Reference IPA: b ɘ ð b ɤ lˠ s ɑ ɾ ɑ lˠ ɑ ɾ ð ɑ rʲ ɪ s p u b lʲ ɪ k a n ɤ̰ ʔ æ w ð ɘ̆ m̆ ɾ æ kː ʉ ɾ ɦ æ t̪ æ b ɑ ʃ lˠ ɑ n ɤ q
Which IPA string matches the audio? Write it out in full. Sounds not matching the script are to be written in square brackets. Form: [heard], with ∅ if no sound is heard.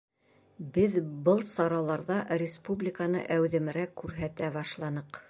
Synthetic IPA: b ɘ ð b ɤ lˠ s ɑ ɾ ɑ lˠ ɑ ɾ ð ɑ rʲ ɪ s p u b lʲ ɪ k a n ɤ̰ ʔ æ w ð ɘ̆ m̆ ɾ æ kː ʉ ɾ ɦ æ t̪ æ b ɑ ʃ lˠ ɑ n ɤ q